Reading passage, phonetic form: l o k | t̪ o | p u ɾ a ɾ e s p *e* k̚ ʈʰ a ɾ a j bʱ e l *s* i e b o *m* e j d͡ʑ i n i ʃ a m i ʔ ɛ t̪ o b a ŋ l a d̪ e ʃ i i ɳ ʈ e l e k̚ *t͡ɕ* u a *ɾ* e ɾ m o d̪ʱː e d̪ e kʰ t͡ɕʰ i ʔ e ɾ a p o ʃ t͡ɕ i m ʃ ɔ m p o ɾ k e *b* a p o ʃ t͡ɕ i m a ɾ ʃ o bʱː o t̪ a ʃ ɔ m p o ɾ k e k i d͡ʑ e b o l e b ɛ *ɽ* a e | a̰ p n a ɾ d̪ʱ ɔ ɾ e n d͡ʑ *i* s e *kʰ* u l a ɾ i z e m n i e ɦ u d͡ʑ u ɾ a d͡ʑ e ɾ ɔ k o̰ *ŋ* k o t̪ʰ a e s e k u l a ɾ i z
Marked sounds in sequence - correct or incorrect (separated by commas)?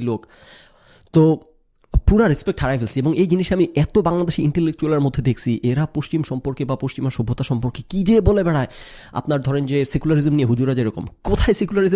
correct, correct, incorrect, correct, incorrect, correct, correct, incorrect, incorrect, incorrect